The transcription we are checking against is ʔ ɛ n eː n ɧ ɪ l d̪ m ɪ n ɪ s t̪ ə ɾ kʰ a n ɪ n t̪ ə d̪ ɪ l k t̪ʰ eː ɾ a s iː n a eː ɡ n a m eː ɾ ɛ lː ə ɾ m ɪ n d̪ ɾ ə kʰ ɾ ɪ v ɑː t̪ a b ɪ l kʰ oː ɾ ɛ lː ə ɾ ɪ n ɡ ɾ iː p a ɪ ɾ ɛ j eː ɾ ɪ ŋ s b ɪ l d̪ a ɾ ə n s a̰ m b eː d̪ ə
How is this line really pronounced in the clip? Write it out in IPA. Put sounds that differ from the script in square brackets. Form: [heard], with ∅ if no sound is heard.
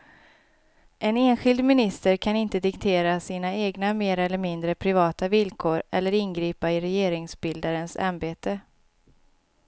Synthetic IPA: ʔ ɛ n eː n ɧ ɪ l d̪ m ɪ n ɪ s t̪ ə ɾ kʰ a n ɪ n t̪ ə d̪ ɪ [∅] k t̪ʰ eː ɾ a s iː n a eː ɡ n a m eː ɾ ɛ lː ə ɾ m ɪ n d̪ ɾ ə [pʰ] ɾ ɪ v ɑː t̪ a [v] ɪ l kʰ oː ɾ ɛ lː ə ɾ ɪ n ɡ ɾ iː p a ɪ ɾ ɛ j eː ɾ ɪ ŋ s b ɪ l d̪ a ɾ ə n s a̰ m b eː [t̪] ə